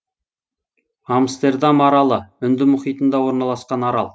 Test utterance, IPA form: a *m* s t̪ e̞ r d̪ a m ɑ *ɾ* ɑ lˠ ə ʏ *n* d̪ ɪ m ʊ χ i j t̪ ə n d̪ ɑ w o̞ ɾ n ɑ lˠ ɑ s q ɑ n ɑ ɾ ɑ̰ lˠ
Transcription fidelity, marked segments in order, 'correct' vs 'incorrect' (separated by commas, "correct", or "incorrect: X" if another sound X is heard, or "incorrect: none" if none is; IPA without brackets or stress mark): correct, correct, correct